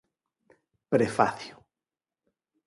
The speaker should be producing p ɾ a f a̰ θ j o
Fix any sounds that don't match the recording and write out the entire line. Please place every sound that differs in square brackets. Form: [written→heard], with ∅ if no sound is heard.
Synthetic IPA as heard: p ɾ [a→e] f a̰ θ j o